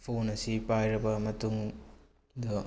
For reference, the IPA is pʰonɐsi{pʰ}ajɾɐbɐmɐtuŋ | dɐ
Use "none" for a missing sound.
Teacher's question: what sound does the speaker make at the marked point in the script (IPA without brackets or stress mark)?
p